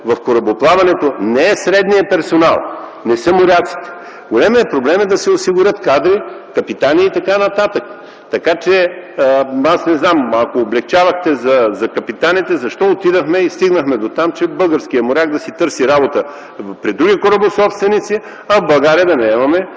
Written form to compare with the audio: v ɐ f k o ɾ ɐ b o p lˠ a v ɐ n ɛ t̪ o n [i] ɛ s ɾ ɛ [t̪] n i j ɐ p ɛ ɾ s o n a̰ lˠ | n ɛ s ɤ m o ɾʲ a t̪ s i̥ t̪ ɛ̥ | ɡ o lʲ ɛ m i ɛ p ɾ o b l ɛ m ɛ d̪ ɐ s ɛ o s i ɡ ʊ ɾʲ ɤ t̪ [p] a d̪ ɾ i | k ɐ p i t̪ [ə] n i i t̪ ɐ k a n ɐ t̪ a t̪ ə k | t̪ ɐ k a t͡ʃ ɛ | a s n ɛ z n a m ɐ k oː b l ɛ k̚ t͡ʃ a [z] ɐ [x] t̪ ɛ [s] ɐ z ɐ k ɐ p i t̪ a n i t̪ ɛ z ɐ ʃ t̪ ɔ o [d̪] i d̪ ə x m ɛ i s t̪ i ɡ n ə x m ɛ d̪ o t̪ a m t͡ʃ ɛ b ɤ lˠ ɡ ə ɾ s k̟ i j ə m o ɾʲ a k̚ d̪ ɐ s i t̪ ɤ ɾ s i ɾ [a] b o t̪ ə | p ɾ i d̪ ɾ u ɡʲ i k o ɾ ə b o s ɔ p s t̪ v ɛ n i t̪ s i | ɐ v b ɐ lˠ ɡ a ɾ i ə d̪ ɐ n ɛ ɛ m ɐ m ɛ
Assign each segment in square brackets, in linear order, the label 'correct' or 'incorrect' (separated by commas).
incorrect, incorrect, incorrect, incorrect, incorrect, correct, incorrect, incorrect, correct